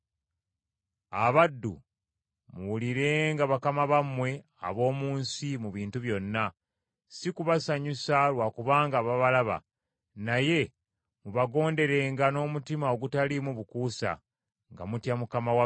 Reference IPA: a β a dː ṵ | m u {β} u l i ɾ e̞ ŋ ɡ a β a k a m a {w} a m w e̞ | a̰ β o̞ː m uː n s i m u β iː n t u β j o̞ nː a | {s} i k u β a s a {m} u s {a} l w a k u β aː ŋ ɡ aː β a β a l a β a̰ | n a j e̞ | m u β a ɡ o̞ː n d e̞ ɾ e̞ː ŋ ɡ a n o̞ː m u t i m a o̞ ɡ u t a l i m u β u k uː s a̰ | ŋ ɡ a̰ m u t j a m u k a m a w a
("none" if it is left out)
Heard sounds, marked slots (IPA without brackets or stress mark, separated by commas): w, β, s, ɲ, a